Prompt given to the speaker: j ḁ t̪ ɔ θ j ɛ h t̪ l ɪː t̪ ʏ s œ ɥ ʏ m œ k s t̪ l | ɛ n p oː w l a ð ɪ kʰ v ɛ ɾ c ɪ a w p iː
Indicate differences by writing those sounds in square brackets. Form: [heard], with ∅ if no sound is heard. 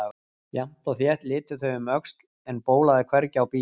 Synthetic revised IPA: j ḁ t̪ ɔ θ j ɛ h t̪ l ɪː t̪ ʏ [θ] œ ɥ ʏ m œ k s t̪ l | ɛ n p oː w l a ð ɪ kʰ v ɛ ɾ c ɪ a w p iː